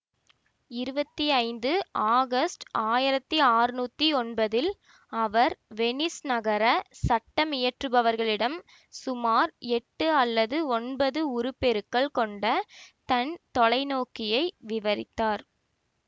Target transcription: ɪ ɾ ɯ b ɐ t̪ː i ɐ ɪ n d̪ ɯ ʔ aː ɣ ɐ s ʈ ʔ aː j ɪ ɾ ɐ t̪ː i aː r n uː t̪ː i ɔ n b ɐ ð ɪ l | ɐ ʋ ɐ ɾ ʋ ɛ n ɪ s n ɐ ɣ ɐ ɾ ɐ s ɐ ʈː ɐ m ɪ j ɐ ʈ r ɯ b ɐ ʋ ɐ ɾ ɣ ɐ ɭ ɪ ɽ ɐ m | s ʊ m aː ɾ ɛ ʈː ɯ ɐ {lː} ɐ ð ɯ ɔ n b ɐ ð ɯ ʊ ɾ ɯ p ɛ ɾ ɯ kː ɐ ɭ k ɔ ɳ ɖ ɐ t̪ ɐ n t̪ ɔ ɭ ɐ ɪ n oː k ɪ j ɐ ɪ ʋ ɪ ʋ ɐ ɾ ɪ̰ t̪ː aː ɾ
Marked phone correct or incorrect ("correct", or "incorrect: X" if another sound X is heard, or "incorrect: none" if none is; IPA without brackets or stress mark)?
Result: correct